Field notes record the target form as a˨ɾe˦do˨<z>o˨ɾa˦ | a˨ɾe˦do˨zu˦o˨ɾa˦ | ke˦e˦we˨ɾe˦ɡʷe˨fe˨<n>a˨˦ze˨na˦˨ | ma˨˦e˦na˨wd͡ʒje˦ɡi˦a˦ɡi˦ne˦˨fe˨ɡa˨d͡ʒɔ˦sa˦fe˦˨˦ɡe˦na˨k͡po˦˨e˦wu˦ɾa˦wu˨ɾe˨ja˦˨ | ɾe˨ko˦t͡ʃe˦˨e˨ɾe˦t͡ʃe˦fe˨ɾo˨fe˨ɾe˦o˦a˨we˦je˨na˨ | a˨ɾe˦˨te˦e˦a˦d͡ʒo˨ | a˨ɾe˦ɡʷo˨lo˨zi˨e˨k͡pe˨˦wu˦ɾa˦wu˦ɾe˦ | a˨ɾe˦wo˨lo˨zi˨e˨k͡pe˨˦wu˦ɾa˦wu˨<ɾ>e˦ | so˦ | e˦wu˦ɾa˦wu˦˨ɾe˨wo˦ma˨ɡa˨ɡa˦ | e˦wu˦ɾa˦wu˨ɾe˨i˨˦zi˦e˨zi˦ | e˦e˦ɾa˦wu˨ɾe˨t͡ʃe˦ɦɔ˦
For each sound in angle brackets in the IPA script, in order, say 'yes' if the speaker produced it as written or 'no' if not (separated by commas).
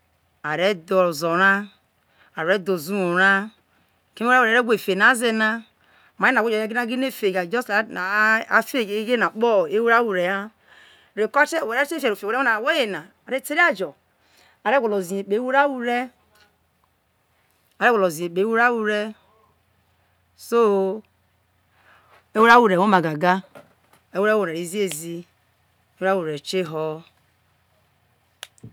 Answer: yes, yes, yes